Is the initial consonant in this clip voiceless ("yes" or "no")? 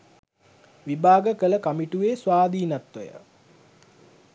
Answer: no